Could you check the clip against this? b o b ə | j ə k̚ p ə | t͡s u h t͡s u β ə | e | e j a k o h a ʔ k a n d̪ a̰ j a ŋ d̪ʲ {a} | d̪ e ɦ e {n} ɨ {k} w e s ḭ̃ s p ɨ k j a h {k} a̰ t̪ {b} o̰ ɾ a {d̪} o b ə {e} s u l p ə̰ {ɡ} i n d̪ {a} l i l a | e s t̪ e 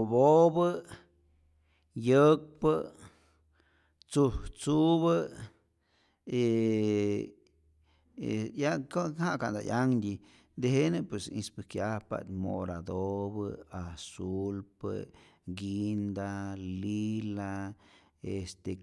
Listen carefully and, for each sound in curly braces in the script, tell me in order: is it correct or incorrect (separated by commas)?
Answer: incorrect, correct, incorrect, incorrect, incorrect, correct, incorrect, correct, correct